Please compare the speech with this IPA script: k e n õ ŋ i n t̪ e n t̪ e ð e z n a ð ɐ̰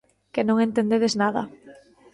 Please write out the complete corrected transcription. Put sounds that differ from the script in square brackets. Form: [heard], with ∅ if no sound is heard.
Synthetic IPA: k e n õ ŋ [e] n t̪ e n [d̪] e ð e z n a ð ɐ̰